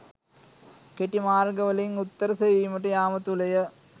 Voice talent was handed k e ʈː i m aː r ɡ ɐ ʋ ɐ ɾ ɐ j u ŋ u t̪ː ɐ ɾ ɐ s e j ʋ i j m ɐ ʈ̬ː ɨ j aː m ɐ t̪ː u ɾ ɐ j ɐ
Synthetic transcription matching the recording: k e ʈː i m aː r ɡ ɐ ʋ ɐ l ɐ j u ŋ u t̪ː ɐ ɾ ɐ s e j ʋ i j m ɐ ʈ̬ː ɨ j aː m ɐ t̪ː u l ɐ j ɐ